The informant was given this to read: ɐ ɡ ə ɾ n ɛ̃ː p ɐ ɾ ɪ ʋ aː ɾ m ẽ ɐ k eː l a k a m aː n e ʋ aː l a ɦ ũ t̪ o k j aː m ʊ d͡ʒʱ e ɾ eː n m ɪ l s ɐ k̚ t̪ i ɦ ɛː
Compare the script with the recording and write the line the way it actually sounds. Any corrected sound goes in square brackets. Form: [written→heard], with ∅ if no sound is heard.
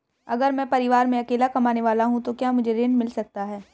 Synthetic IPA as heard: ɐ ɡ ə ɾ [n→m] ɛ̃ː p ɐ ɾ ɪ ʋ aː ɾ m ẽ ɐ k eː l a k [a→ɐ] m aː n e ʋ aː l a ɦ ũ t̪ o k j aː m ʊ d͡ʒʱ e ɾ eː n m ɪ l s ɐ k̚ t̪ [i→a] ɦ ɛː